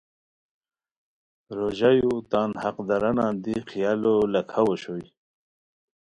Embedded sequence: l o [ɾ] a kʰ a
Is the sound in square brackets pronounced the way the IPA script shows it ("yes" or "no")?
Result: no